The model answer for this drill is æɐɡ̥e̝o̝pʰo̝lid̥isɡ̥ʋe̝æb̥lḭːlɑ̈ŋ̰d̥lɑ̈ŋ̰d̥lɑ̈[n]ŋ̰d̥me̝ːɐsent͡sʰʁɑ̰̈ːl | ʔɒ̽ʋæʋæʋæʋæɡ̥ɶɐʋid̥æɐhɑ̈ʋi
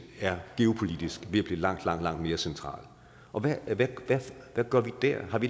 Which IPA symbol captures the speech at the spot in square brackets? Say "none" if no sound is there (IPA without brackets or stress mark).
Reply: none